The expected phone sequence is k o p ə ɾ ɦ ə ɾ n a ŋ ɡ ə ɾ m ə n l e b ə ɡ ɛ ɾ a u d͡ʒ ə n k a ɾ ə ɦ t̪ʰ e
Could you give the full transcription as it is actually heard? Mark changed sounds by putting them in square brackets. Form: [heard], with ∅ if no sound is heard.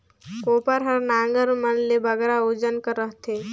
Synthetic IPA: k o p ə ɾ ɦ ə ɾ n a ŋ ɡ ə ɾ m ə n l e b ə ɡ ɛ ɾ a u d͡ʒ ə n k [ə] ɾ ə ɦ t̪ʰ e